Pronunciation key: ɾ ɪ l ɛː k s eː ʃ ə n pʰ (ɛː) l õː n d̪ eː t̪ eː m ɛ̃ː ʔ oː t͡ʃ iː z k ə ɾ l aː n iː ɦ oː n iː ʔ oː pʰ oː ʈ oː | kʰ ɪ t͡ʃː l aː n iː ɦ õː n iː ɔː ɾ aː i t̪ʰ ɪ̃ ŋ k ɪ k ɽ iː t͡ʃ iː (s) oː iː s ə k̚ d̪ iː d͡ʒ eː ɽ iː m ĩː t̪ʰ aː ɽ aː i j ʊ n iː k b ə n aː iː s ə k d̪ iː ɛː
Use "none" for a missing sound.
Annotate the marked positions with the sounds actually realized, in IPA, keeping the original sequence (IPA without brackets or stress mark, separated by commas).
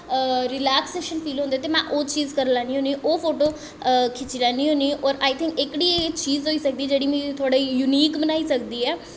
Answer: iː, z